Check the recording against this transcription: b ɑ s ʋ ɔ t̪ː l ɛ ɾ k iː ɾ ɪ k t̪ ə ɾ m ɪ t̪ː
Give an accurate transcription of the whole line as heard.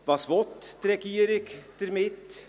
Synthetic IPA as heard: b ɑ s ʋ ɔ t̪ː ɾ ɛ k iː ɾ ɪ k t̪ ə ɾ m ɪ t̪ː